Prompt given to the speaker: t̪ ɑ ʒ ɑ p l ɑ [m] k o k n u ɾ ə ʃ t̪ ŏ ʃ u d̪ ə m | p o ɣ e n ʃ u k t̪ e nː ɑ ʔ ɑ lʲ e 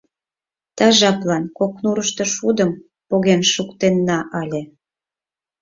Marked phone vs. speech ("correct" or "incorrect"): incorrect